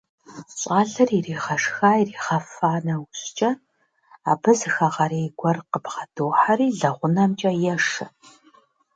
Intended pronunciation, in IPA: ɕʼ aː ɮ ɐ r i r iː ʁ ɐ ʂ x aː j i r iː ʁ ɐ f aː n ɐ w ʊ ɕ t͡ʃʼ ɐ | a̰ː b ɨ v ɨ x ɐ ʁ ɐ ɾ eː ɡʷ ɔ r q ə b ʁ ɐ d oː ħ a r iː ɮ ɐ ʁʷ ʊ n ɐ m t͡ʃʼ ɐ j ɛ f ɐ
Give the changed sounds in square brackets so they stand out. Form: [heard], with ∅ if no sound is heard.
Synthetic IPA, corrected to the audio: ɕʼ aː ɮ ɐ r i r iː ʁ ɐ ʂ x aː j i r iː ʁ ɐ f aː n ɐ w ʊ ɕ t͡ʃʼ ɐ | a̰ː b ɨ [z] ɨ x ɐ ʁ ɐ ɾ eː ɡʷ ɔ r q ə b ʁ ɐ d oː ħ a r iː ɮ ɐ ʁʷ ʊ n ɐ m t͡ʃʼ ɐ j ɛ [ʂ] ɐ